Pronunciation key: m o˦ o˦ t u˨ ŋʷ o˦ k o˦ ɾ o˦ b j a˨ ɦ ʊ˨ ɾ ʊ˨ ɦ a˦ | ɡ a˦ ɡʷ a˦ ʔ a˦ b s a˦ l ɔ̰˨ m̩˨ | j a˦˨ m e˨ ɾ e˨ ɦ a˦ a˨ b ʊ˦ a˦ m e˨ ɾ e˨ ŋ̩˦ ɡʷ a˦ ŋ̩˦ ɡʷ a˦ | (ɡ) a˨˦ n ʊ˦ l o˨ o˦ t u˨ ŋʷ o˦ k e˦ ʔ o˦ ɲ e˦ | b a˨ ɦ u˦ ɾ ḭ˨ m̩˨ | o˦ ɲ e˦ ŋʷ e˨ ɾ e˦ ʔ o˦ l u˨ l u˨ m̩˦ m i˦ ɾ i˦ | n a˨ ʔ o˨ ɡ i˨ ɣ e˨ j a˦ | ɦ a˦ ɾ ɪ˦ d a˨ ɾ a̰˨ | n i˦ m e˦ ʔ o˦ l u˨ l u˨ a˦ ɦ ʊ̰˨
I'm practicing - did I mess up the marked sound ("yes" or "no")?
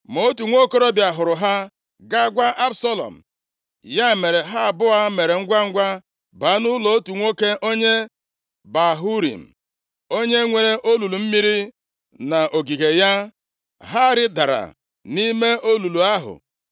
yes